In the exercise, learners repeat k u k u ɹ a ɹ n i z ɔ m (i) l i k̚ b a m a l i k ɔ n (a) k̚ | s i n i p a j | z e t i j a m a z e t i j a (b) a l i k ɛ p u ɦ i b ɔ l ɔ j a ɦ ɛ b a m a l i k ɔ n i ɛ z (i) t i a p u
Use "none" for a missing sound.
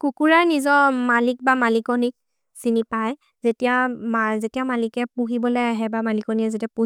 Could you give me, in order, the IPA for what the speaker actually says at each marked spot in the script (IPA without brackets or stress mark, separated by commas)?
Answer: a, i, m, e